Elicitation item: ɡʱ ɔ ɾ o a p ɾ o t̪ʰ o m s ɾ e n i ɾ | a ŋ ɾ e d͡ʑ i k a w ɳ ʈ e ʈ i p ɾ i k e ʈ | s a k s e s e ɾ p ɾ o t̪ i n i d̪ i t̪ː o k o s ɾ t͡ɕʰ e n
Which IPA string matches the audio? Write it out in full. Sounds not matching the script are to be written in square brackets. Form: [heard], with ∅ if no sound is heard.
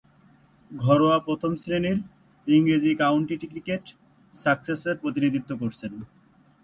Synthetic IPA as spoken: ɡʱ ɔ ɾ o a p ɾ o t̪ʰ o m s ɾ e n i ɾ | [i] ŋ ɾ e d͡ʑ i k a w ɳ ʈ [i] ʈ i [k] ɾ i k e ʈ | s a k s e s e ɾ p ɾ o t̪ i n i d̪ i t̪ː o k o [∅] ɾ t͡ɕʰ e n